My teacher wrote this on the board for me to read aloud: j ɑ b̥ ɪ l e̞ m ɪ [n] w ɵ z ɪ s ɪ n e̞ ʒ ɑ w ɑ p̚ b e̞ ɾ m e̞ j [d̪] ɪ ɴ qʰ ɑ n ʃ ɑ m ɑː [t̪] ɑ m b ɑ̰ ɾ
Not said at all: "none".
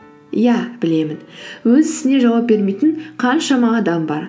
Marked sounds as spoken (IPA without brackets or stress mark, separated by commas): n, t̪, d̪